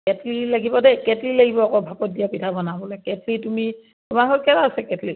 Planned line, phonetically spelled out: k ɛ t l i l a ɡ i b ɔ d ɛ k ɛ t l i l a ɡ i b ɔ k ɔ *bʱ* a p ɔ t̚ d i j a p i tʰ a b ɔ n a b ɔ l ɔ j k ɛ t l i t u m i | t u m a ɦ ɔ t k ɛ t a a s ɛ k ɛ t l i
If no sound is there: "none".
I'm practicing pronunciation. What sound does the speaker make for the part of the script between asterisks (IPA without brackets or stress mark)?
bʱ